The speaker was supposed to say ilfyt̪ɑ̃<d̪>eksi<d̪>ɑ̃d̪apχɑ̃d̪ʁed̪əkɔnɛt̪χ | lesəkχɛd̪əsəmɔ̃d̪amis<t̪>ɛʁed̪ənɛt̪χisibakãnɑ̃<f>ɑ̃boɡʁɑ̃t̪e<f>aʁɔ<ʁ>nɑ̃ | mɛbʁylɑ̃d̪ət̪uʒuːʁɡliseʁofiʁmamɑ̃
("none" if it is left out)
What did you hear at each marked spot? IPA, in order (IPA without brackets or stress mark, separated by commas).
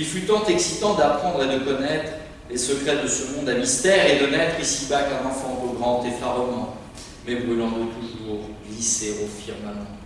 t̪, t̪, t̪, f, f, none